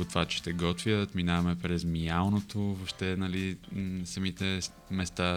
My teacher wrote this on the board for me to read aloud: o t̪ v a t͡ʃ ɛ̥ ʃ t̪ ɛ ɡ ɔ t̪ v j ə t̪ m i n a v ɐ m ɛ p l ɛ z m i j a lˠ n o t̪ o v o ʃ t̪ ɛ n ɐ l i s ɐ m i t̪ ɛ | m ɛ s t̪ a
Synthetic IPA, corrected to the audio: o t̪ v a t͡ʃ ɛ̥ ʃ t̪ ɛ ɡ ɔ t̪ v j ə t̪ m i n a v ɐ m ɛ p ɾ ɛ z m i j a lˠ n o t̪ o v o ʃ t̪ ɛ n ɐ l i s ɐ m i t̪ ɛ | m ɛ s t̪ a